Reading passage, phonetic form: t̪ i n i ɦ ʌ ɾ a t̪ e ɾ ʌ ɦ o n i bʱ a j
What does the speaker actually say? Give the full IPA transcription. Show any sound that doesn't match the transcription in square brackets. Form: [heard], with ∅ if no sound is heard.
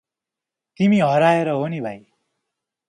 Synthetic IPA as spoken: t̪ i [m] i ɦ ʌ ɾ a [∅] e ɾ ʌ ɦ o n i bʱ a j